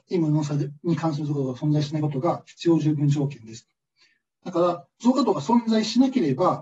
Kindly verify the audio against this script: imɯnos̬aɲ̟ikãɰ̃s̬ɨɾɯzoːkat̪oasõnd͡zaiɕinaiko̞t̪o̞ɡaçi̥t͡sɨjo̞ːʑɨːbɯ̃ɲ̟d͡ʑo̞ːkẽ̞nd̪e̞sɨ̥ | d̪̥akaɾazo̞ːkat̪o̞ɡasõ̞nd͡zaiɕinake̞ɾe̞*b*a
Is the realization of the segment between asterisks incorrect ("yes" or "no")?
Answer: no